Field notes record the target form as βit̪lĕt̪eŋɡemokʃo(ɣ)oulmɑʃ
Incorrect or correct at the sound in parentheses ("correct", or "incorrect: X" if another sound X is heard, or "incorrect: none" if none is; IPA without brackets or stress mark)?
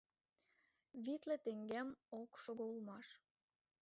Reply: correct